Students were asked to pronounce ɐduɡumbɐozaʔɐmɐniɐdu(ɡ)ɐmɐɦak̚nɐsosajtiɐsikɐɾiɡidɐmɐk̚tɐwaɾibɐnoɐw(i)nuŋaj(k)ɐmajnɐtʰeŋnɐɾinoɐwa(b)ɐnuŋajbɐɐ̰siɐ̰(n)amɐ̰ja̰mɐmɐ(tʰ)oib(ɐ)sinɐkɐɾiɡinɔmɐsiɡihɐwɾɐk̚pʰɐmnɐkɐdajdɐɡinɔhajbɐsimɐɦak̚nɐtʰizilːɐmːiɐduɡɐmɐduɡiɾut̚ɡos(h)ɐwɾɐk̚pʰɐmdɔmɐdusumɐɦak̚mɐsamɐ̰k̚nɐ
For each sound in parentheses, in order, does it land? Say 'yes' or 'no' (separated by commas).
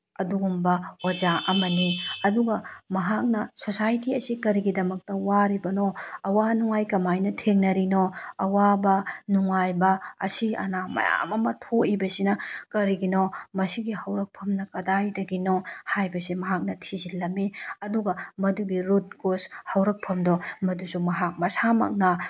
yes, no, yes, yes, yes, yes, yes, yes